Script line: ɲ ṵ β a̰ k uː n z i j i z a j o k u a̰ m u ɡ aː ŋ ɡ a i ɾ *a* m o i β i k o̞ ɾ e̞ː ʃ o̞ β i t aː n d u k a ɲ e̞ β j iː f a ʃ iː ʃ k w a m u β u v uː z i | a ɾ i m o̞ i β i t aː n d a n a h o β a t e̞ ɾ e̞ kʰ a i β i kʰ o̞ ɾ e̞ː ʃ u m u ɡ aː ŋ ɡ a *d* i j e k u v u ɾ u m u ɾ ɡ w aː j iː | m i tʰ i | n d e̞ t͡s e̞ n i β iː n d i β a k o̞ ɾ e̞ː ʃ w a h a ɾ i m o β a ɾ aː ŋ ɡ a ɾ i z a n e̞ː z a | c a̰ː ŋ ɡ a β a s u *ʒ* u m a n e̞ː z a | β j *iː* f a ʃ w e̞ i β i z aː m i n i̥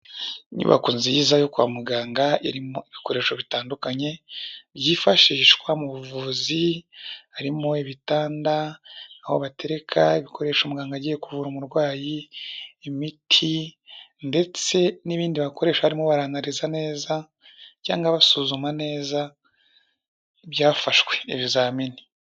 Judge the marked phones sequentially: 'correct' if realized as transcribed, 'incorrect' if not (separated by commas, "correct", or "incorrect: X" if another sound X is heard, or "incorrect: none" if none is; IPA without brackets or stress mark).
incorrect: i, incorrect: ɟ, incorrect: z, incorrect: aː